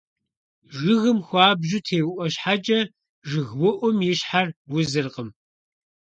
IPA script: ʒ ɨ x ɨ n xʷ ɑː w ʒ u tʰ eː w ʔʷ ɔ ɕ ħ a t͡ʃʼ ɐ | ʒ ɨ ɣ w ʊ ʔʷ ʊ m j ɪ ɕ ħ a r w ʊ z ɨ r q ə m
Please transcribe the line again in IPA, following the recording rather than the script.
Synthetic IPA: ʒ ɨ ɣ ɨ m xʷ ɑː b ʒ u tʰ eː w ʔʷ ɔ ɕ ħ a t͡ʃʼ ɐ | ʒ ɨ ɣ w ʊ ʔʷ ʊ m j ɪ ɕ ħ a r w ʊ z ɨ r q ə m